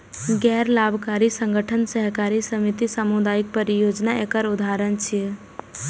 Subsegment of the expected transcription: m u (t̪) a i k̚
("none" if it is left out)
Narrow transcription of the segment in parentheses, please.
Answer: d̪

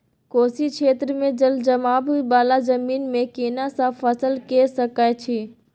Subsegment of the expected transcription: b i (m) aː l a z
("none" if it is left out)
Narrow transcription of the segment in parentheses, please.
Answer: b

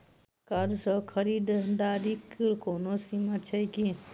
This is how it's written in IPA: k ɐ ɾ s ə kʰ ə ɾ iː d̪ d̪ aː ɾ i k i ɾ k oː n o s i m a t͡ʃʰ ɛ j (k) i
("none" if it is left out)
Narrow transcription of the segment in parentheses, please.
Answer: k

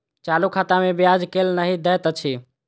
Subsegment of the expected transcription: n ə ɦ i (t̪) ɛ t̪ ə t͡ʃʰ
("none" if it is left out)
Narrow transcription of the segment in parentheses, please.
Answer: d̪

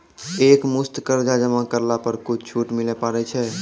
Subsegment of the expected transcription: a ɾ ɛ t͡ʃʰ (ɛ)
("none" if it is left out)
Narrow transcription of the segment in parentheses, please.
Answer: ɛ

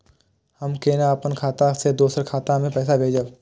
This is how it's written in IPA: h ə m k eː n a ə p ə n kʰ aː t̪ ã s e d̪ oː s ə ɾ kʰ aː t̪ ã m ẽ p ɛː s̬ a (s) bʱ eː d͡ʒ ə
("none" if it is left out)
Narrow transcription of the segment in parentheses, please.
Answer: none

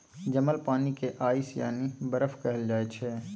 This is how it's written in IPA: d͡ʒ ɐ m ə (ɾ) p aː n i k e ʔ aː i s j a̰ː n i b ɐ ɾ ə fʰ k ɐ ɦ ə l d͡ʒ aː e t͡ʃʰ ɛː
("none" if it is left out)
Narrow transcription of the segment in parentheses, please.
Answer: l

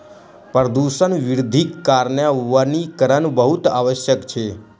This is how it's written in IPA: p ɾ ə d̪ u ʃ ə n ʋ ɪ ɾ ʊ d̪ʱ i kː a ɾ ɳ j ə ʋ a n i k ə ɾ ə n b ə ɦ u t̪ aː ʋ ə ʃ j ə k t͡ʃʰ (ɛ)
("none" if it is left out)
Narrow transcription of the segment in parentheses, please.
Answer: e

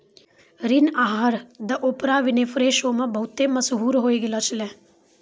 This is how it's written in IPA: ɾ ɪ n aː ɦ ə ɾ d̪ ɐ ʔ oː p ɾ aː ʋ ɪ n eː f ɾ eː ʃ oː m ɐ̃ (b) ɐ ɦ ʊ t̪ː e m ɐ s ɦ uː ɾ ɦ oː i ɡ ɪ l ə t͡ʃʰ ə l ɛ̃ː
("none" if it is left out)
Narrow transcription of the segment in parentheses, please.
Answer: b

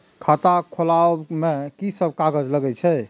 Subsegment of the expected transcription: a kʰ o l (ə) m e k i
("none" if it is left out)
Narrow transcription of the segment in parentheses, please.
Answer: a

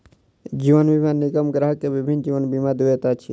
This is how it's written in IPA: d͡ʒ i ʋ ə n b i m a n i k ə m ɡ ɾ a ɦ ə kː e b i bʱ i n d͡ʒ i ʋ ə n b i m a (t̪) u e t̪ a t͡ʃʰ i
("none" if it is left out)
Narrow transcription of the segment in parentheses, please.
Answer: d̪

